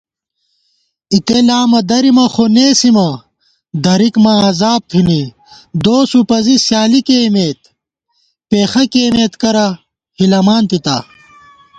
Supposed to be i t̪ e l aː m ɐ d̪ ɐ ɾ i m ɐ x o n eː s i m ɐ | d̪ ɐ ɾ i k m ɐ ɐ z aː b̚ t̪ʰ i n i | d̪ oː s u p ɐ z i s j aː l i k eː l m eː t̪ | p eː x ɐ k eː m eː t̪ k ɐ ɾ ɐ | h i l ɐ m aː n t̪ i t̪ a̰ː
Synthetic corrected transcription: i t̪ e l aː m ɐ d̪ ɐ ɾ i m ɐ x o n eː s i m ɐ | d̪ ɐ ɾ i k m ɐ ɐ z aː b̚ t̪ʰ i n i | d̪ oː s u p ɐ z i s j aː l i k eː m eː t̪ | p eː x ɐ k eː m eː t̪ k ɐ ɾ ɐ | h i l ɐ m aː n t̪ i t̪ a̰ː